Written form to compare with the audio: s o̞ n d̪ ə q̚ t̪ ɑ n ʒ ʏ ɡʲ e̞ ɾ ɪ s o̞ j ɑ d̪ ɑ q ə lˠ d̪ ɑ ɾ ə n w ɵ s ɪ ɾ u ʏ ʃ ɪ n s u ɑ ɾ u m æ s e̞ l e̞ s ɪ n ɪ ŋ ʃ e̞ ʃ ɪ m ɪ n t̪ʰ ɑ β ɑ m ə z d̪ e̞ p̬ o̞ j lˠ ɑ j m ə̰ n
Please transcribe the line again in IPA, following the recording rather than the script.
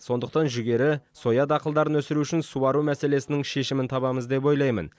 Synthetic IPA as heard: s o̞ n d̪ ə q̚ t̪ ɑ n ʒ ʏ ɡʲ e̞ ɾ ɪ s o̞ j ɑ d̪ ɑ q ə lˠ d̪ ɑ ɾ ə n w ɵ s ɪ ɾ u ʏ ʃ ɪ n s u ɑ ɾ u m æ s e̞ l e̞ s ɪ n ɪ ŋ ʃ e̞ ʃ ɪ m ɪ n t̪ʰ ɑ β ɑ m ə z d̪ e̞ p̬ o̞ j lˠ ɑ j m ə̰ n